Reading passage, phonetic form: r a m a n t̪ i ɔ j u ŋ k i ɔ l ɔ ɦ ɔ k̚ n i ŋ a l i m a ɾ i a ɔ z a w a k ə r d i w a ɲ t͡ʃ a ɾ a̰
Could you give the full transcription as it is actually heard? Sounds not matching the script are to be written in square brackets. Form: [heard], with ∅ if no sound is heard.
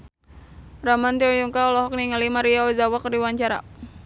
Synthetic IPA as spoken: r a m a n t̪ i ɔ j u ŋ k [a] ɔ l ɔ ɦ ɔ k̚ n i ŋ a l i m a ɾ i a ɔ z a w a k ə r d i w a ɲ t͡ʃ a ɾ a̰